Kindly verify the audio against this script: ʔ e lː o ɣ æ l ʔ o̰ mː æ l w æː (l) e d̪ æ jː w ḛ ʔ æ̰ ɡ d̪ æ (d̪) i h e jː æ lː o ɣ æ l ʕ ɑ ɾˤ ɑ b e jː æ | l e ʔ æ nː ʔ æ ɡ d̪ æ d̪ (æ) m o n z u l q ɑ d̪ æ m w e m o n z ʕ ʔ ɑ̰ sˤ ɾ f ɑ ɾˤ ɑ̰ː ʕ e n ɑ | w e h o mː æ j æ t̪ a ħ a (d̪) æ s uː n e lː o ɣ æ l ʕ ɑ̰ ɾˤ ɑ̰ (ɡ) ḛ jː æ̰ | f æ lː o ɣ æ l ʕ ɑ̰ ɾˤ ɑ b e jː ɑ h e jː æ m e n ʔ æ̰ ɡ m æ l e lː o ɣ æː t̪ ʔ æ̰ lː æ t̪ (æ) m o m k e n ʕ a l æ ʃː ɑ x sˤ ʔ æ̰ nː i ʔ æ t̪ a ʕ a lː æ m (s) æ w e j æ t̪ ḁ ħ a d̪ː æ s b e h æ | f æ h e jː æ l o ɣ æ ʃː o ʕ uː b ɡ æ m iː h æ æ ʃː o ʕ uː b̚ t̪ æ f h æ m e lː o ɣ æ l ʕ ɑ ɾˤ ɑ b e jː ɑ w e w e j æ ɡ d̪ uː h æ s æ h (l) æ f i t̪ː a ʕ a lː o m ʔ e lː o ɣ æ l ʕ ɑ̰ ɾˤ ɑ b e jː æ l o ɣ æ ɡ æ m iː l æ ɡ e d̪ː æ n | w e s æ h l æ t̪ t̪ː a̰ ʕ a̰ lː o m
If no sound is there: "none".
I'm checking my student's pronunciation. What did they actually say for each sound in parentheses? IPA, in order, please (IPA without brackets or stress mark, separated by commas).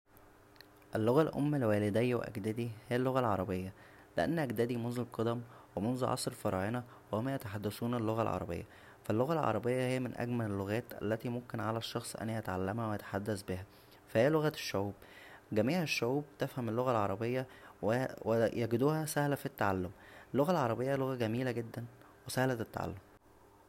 l, d̪, i, d̪ː, b, i, h, l